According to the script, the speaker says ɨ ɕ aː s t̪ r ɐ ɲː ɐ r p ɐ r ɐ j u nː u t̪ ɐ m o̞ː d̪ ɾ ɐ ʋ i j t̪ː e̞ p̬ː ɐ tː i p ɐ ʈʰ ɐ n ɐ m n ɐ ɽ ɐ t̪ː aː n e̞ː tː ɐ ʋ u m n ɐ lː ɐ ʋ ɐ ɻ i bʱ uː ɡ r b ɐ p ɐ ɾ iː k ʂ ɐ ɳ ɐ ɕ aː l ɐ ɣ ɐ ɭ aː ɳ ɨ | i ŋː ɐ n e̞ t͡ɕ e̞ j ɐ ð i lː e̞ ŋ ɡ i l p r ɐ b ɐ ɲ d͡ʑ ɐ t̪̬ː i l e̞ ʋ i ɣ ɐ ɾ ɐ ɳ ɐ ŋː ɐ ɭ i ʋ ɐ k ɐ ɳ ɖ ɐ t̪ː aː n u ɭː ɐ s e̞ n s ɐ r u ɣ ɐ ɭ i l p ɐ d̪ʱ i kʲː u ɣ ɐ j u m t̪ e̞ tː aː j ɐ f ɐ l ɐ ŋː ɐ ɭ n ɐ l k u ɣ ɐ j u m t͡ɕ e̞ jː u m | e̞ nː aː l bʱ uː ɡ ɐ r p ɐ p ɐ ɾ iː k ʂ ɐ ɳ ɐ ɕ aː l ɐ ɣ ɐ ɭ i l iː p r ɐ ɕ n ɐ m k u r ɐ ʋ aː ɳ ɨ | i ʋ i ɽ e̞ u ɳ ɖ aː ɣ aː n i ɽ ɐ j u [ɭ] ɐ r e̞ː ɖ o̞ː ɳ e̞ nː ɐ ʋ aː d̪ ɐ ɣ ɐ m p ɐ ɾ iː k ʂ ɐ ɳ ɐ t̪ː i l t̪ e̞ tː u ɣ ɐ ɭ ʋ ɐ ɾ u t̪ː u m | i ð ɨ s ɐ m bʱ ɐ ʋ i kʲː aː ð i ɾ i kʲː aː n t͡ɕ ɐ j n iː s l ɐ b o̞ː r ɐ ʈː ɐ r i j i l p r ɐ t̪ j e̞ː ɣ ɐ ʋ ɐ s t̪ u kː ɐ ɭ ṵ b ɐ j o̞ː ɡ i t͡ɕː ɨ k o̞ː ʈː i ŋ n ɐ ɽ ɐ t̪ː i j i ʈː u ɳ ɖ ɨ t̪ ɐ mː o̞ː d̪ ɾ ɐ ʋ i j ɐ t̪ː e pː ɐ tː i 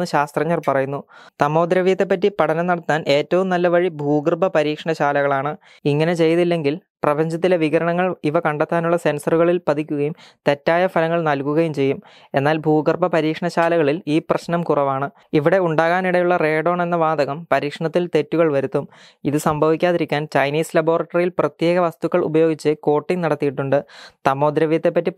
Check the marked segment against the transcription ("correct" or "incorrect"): incorrect